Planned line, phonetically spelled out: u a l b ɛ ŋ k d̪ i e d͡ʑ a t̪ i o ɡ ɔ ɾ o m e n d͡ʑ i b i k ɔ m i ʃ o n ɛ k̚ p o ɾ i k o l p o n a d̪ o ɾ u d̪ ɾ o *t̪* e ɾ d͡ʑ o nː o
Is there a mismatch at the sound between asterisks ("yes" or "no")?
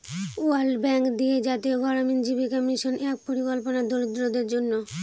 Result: yes